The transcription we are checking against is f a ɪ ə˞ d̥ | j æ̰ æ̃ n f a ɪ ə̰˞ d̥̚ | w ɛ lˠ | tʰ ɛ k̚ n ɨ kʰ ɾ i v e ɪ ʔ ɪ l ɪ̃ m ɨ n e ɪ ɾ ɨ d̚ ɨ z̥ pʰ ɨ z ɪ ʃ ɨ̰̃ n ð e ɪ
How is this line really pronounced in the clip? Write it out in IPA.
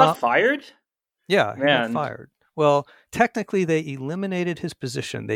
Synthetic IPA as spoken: f a ɪ ə˞ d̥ | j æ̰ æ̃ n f a ɪ ə̰˞ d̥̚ | w ɛ lˠ | tʰ ɛ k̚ n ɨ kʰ l i ð e ɪ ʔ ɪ l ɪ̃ m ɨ n e ɪ ɾ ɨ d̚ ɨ z̥ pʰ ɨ z ɪ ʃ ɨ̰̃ n ð e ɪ